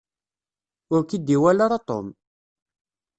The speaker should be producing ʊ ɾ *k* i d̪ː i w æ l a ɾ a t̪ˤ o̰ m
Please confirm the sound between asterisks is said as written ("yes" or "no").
yes